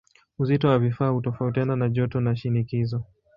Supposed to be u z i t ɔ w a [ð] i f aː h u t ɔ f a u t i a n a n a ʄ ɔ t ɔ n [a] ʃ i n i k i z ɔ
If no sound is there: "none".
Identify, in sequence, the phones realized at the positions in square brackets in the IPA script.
v, a

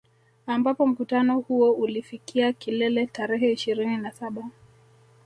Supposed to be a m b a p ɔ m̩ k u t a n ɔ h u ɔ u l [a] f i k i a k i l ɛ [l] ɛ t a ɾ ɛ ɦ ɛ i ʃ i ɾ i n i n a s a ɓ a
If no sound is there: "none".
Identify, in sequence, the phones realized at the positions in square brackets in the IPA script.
i, l

